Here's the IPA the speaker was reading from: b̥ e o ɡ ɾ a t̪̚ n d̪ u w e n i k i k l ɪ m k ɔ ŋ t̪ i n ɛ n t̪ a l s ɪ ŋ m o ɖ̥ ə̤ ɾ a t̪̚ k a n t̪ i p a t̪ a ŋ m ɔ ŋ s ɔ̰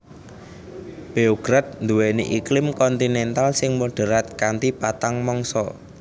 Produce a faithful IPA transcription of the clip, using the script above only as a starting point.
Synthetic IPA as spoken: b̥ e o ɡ ɾ a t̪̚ n d̪ u w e n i ʔ i k l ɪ m k ɔ n t̪ i n ɛ n t̪ a l s ɪ ŋ m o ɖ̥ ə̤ ɾ a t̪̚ k a n t̪ i p a t̪ a ŋ m ɔ ŋ s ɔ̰